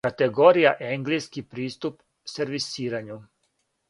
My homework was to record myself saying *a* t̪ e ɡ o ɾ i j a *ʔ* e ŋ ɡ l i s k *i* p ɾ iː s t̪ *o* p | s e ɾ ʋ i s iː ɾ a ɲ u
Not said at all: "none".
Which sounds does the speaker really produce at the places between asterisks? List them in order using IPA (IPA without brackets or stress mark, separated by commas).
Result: a, ʔ, i, u